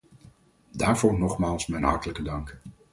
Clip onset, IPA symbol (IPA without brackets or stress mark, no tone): d